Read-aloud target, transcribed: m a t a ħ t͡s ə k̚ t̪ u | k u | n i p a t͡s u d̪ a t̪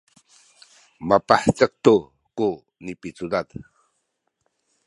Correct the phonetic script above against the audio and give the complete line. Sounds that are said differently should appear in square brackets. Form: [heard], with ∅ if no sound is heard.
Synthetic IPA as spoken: m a [p] a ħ t͡s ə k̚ t̪ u | k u | n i p [i] t͡s u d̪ a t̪